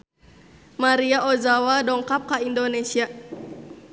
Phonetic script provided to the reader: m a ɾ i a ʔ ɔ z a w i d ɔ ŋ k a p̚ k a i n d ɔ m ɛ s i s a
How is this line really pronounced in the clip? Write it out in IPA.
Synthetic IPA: m a ɾ i a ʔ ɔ z a w a d ɔ ŋ k a p̚ k a i n d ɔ n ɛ s i a